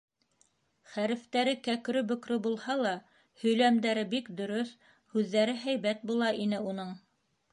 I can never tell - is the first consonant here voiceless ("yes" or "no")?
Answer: yes